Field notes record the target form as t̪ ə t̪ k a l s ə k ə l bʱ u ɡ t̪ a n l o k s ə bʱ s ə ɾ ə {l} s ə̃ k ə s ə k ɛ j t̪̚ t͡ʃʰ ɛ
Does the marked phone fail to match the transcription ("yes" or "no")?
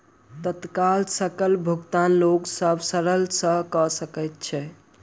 no